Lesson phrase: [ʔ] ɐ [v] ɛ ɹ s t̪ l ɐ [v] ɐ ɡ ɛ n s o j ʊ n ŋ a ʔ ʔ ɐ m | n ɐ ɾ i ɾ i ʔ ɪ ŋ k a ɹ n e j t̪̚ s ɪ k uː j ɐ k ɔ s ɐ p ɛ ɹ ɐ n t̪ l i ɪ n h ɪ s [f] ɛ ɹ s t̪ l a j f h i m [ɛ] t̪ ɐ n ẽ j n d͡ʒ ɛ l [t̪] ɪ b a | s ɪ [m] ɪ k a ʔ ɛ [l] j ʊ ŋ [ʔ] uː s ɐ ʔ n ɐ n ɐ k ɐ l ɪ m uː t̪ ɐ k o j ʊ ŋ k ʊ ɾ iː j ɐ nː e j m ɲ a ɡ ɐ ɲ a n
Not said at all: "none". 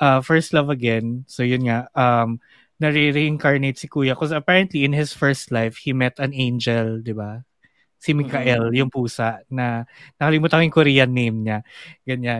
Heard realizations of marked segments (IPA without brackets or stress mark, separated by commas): ʔ, f, v, f, ɛ, d̪, m, l, p